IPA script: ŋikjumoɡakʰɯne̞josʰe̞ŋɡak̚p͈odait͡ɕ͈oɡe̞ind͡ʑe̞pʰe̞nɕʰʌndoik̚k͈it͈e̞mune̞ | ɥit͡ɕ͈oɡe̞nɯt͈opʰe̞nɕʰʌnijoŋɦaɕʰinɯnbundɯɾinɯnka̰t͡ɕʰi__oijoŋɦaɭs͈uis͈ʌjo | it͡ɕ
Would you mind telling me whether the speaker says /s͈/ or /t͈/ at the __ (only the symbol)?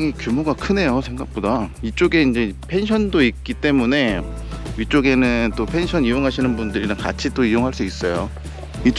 t͈